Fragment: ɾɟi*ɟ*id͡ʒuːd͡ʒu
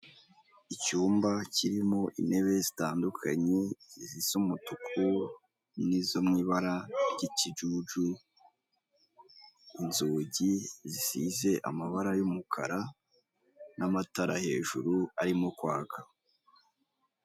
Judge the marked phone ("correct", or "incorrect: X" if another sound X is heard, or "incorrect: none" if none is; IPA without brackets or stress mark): incorrect: c